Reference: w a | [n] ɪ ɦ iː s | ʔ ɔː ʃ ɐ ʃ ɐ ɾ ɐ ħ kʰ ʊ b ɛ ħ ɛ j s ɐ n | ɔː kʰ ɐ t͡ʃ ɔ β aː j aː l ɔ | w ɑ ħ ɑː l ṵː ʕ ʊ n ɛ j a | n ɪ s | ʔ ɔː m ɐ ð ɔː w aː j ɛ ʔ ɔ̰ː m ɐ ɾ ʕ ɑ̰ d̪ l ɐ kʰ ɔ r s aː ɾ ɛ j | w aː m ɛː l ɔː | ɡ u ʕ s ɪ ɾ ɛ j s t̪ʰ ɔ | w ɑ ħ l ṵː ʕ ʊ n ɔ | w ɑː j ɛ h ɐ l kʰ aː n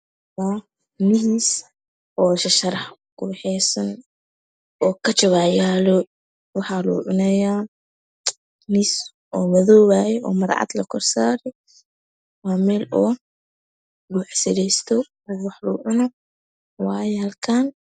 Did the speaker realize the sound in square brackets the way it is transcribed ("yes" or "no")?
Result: yes